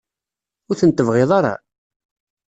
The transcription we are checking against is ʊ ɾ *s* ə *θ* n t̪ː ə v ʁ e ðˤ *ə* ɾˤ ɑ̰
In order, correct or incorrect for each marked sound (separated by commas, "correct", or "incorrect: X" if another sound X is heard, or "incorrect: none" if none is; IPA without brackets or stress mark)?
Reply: incorrect: θ, incorrect: none, incorrect: ɑ